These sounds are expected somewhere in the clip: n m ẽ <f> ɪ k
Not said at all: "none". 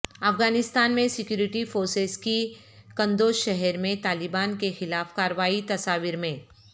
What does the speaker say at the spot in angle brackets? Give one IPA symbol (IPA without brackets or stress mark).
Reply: s